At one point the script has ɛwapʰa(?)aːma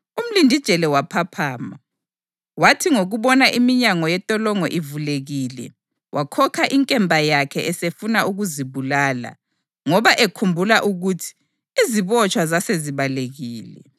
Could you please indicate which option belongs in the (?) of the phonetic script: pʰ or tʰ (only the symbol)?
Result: pʰ